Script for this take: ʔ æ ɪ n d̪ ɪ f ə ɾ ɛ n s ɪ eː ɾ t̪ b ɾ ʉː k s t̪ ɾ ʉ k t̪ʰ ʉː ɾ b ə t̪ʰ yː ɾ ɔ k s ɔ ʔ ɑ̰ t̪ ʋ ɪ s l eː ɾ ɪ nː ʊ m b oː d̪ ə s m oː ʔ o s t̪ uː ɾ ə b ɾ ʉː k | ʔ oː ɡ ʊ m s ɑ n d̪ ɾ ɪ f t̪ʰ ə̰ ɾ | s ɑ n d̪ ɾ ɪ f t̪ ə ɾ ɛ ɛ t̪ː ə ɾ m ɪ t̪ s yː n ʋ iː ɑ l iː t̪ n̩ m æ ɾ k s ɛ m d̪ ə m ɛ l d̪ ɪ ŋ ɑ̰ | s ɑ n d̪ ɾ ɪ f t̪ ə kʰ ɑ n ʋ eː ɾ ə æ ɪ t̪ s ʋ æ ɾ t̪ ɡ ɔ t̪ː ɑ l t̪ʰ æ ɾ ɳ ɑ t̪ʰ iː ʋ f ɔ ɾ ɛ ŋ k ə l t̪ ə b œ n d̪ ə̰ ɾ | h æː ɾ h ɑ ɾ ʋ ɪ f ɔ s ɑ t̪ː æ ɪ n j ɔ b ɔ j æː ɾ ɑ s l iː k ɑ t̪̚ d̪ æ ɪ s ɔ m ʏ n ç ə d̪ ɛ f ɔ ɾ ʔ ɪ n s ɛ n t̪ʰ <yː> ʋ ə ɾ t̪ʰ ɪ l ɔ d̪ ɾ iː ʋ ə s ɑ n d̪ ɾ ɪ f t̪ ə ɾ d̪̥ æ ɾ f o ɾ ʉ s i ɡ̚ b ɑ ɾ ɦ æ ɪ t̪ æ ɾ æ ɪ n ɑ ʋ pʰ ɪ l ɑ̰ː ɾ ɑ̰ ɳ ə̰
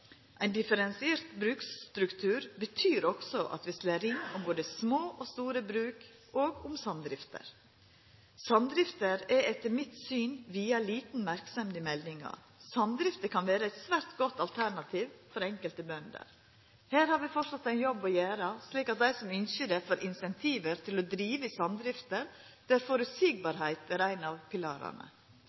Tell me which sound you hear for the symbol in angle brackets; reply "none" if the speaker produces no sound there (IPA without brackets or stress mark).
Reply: iː